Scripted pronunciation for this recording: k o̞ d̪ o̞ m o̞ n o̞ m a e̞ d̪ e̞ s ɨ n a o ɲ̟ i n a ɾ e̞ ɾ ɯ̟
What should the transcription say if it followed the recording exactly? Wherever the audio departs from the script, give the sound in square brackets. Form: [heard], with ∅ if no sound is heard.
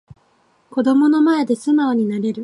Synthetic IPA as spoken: k o̞ d̪ o̞ m o̞ n o̞ m a e̞ d̪ e̞ s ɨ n a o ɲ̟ i n a ɾ e̞ ɾ ɯ̟